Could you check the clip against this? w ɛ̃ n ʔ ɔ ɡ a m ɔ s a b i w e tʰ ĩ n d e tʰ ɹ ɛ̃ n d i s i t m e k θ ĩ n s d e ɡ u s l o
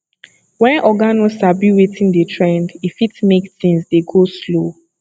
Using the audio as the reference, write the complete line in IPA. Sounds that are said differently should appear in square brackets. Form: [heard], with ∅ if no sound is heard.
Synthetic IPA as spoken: w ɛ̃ n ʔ ɔ ɡ a [n] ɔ s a b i w e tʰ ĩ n d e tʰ ɹ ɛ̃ n d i [f] i t m e k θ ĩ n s d e ɡ [o] s l o